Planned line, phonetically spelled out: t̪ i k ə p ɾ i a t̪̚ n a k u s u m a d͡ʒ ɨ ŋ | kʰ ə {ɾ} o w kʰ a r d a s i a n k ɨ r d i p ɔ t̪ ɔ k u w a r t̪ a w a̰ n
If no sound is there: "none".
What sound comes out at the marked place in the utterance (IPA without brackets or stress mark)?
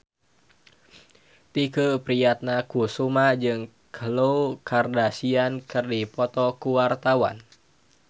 l